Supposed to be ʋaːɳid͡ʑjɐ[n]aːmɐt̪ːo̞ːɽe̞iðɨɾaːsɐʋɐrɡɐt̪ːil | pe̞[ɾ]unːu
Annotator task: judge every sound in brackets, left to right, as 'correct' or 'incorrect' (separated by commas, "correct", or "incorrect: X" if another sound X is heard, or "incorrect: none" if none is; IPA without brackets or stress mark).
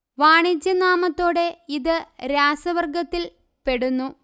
correct, incorrect: ɽ